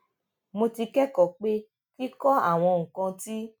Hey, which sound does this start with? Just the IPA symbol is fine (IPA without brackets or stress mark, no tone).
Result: m